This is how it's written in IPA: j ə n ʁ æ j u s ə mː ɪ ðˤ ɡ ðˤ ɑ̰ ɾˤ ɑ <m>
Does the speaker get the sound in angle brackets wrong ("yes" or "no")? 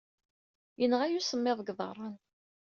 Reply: yes